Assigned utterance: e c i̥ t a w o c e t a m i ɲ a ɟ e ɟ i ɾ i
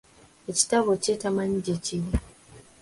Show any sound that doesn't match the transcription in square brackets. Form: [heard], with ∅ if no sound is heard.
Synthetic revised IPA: e c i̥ t a [β] o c e t a m [a] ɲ [i] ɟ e [c] i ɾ i